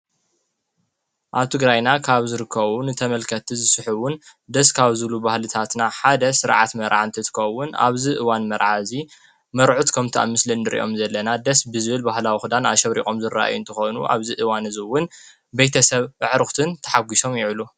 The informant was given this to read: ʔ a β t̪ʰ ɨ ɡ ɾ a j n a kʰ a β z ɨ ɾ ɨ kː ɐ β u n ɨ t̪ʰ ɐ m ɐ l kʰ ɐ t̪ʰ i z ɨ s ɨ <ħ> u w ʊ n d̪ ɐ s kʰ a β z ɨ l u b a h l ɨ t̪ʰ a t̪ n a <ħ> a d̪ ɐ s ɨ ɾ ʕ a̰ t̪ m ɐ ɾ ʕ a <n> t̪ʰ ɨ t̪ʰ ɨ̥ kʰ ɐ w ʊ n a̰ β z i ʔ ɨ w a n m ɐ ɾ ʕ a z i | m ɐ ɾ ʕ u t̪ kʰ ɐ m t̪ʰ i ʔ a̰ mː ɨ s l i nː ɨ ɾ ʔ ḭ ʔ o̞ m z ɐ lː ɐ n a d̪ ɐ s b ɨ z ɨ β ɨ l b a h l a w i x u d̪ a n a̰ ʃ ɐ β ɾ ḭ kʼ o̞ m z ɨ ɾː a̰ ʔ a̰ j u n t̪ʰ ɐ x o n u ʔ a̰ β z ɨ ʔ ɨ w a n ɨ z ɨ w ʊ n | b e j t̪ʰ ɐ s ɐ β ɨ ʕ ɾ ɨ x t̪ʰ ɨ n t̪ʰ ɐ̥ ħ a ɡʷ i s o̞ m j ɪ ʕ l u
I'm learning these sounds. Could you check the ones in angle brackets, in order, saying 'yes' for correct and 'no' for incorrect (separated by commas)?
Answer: yes, yes, yes